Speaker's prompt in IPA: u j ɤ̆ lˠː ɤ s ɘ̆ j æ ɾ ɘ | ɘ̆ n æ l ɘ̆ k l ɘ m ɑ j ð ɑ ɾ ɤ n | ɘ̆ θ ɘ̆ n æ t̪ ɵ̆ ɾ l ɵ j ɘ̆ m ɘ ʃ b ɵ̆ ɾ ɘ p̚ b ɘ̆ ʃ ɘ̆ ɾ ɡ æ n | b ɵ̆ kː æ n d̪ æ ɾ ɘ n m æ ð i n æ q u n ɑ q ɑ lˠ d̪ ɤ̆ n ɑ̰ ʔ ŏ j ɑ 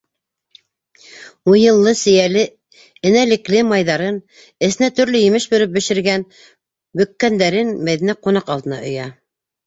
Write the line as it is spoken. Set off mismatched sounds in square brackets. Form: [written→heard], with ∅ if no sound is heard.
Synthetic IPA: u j ɤ̆ lˠː ɤ s ɘ̆ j æ [ɾ→l] ɘ | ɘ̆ n æ l ɘ̆ k l ɘ m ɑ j ð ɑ ɾ ɤ n | ɘ̆ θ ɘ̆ n æ t̪ ɵ̆ ɾ l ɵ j ɘ̆ m ɘ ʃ b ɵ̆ ɾ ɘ p̚ b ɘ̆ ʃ ɘ̆ ɾ ɡ æ n | b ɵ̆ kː æ n d̪ æ ɾ ɘ n m æ ð i n æ q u n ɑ q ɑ lˠ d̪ ɤ̆ n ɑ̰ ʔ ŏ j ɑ